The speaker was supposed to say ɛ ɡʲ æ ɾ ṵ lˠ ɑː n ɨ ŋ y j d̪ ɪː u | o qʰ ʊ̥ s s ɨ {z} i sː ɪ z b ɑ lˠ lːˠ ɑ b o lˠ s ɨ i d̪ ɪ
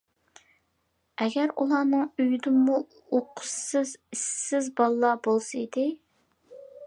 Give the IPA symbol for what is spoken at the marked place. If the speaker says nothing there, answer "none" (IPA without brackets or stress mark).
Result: z